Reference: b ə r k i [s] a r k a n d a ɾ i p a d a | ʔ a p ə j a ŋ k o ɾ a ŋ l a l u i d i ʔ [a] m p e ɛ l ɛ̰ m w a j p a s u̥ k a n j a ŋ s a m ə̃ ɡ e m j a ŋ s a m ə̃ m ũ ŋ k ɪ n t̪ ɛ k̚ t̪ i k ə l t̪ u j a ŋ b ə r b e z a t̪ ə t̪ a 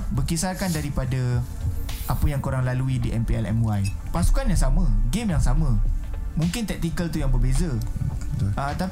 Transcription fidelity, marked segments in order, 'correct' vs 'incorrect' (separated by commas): correct, incorrect